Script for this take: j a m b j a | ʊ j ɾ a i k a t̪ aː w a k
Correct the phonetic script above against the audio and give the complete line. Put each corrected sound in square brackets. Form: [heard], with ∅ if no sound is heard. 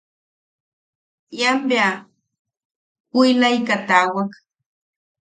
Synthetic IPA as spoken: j a m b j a | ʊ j [l] a [j] k a t̪ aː w a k